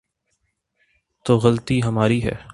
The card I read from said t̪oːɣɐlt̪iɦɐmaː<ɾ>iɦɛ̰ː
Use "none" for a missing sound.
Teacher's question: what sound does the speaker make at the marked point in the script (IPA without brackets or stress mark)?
ɾ